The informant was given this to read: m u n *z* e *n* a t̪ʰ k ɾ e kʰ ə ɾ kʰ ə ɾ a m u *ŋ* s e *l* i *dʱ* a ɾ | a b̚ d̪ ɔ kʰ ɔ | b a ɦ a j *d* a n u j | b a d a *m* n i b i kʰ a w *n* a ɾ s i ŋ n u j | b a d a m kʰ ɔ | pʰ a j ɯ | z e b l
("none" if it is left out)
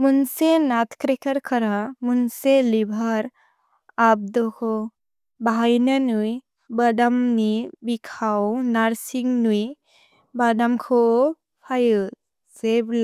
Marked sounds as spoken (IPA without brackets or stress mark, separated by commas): s, n, n, l, bʱ, n, m, n